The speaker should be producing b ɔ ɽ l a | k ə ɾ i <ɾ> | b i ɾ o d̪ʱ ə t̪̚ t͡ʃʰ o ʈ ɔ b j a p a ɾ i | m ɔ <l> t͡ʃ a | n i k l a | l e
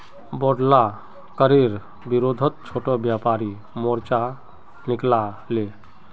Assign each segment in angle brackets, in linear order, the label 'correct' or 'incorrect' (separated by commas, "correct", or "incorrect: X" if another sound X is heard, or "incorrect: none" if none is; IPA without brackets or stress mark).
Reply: correct, incorrect: ɾ